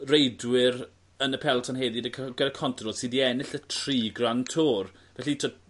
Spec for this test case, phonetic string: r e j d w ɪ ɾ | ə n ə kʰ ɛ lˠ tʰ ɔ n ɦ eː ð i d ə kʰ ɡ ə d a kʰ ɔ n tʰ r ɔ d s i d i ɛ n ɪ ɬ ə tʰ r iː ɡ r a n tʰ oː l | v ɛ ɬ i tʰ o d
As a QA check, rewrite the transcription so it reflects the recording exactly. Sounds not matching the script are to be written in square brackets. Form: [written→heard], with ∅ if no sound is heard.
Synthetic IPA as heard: r e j d w ɪ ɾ | ə n ə [kʰ→pʰ] ɛ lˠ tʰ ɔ n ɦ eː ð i d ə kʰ ɡ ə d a kʰ ɔ n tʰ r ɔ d s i d i ɛ n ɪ ɬ ə tʰ r iː ɡ r a n tʰ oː [l→r] | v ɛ ɬ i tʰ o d